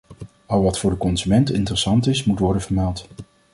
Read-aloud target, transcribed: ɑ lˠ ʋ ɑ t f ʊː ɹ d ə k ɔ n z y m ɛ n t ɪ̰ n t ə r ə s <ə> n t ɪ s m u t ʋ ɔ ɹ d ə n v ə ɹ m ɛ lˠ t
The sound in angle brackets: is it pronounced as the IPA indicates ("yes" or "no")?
no